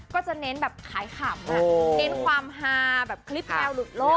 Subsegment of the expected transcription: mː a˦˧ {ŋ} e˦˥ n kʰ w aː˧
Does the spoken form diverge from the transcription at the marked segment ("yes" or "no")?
yes